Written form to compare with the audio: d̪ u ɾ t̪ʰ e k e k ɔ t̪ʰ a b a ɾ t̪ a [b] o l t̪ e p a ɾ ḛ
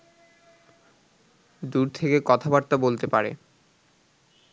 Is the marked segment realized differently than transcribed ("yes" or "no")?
no